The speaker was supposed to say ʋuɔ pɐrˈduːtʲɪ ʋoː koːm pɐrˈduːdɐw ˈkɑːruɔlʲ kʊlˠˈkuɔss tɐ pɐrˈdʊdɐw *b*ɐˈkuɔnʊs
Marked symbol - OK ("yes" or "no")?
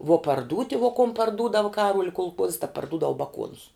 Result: yes